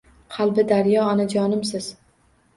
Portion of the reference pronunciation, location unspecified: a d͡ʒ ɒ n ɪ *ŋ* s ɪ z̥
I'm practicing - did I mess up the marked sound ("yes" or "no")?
yes